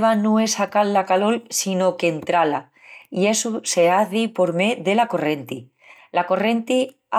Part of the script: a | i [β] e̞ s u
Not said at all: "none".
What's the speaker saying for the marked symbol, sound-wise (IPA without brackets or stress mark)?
none